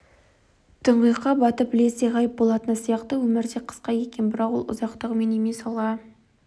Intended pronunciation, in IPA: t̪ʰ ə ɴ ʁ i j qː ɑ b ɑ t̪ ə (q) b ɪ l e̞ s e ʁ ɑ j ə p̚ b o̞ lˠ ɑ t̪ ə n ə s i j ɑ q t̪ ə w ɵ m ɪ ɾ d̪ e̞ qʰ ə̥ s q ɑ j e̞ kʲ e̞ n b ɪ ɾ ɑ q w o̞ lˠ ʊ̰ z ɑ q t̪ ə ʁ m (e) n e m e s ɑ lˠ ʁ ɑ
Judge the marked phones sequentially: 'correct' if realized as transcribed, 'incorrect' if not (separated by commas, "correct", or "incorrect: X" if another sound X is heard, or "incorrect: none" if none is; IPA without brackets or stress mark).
incorrect: p, correct